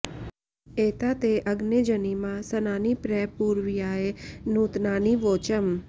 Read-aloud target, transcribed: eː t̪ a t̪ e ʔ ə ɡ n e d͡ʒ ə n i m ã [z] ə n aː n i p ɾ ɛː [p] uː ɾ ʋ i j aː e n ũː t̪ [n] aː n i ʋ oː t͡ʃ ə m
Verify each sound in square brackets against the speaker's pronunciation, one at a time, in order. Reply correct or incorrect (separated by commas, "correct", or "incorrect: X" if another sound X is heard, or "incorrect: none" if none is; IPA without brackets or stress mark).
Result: incorrect: s, correct, correct